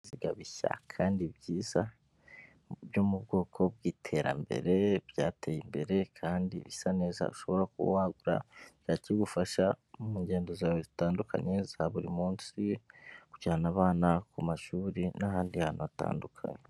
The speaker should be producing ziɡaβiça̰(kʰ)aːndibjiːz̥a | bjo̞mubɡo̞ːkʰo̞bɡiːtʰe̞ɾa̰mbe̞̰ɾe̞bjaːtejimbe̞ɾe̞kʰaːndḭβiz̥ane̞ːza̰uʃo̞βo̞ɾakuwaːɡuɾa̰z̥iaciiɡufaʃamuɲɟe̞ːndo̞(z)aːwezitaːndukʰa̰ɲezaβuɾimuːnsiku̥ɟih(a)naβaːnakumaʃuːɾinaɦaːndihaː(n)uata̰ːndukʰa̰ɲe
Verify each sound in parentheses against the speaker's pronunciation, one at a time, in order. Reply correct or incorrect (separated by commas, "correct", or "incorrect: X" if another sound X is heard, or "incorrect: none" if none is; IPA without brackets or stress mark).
correct, correct, correct, correct